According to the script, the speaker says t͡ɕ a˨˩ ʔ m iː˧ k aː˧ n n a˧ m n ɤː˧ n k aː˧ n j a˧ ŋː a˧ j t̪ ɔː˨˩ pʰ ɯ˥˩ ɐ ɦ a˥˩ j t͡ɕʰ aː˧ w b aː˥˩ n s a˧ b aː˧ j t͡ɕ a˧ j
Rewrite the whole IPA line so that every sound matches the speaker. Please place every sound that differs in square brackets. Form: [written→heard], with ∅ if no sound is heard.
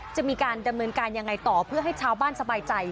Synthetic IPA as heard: t͡ɕ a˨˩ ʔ m iː˧ k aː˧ n [n→d] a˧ m n ɤː˧ n k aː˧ n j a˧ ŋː a˧ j t̪ ɔː˨˩ pʰ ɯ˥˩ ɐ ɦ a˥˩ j t͡ɕʰ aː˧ w b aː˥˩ n s a˧ b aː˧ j t͡ɕ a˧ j